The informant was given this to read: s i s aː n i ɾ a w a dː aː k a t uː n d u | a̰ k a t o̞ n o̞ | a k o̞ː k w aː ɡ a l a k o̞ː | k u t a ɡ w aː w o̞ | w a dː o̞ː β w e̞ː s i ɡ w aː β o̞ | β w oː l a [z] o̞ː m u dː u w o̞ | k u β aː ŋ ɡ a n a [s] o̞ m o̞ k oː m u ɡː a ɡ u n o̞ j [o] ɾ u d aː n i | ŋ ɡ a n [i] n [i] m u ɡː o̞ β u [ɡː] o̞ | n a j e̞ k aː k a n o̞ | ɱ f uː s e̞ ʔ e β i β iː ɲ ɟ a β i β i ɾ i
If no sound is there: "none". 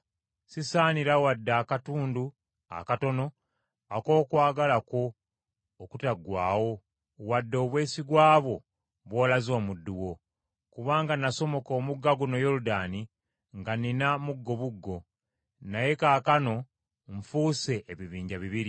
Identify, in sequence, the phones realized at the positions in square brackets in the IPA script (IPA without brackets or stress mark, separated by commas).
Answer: z, s, o, i, a, ɡː